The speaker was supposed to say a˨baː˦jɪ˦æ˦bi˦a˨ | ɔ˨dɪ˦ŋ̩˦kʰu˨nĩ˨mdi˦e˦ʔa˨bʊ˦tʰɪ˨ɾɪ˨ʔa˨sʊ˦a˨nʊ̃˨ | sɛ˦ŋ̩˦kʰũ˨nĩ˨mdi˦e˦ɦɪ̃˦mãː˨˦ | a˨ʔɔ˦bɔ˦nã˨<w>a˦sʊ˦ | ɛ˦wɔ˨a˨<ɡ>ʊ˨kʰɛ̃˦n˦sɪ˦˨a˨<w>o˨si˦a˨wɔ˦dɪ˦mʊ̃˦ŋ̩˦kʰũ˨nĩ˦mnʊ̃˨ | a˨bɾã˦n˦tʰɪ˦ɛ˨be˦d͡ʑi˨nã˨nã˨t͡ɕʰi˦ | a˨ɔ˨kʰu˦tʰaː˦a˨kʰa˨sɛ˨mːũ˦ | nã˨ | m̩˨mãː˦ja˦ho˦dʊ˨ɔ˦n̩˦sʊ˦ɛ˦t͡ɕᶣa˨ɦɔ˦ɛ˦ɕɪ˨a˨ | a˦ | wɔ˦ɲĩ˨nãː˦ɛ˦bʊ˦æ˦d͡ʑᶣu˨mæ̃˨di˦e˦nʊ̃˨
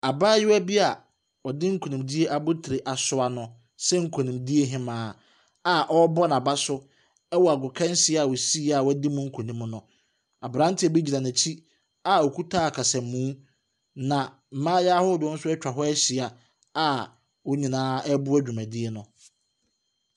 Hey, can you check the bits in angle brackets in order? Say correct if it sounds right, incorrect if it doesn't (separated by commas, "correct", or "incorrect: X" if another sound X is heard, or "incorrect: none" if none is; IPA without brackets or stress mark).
incorrect: b, correct, correct